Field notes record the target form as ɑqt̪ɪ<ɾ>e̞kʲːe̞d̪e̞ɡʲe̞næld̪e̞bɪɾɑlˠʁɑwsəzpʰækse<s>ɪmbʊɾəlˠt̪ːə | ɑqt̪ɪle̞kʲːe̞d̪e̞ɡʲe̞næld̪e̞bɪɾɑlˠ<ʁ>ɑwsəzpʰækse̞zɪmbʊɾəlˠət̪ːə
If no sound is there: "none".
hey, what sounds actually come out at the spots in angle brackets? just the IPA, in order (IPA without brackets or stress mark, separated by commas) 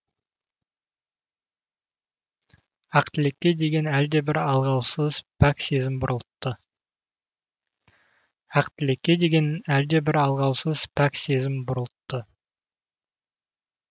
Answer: l, z, ʁ